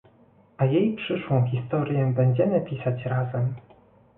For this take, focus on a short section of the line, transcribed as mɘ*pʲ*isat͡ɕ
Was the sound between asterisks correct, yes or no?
yes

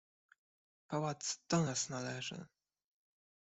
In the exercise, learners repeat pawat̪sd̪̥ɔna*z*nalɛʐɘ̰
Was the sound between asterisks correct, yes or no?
no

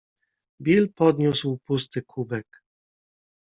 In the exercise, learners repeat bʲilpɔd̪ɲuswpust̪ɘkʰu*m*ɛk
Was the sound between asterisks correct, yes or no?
no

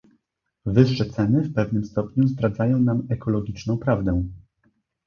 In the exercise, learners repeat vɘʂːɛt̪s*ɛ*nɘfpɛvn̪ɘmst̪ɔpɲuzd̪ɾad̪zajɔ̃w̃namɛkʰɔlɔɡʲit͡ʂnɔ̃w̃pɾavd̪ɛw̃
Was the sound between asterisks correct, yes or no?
yes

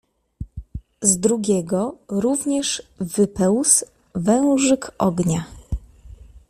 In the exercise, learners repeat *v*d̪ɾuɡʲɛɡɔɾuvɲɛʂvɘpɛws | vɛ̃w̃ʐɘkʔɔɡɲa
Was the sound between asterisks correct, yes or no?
no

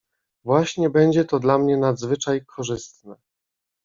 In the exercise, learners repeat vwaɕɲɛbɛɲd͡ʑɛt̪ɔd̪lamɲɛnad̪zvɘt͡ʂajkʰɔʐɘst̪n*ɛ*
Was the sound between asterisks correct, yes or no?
yes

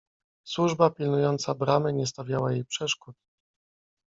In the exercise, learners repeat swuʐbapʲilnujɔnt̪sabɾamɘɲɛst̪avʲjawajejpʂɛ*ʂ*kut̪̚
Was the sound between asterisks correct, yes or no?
yes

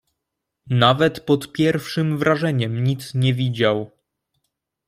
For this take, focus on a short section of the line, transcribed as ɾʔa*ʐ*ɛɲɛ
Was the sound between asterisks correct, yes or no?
yes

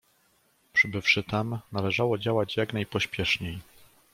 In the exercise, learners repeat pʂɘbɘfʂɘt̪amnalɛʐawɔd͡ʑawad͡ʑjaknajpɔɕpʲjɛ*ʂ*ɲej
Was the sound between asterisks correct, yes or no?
yes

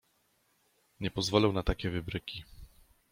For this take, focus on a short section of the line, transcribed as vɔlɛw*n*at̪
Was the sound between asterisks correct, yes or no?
yes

